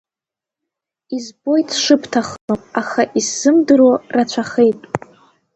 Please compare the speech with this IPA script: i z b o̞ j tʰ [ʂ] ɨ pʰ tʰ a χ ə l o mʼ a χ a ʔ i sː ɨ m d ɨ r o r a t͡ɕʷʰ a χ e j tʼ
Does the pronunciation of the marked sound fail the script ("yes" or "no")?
no